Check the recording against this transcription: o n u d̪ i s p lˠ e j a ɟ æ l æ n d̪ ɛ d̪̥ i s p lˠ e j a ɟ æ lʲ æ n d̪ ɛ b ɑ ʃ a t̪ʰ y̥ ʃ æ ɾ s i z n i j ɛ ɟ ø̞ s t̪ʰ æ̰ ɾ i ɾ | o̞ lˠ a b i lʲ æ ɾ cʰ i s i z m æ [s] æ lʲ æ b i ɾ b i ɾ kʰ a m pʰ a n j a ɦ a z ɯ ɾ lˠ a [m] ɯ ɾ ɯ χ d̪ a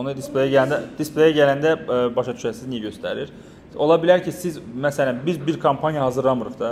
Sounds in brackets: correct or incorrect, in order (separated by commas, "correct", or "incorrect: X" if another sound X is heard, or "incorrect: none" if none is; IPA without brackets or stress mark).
correct, correct